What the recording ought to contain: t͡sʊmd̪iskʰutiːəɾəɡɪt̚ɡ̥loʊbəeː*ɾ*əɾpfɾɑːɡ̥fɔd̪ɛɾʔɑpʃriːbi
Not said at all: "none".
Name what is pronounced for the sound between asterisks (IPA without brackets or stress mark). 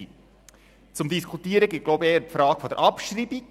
none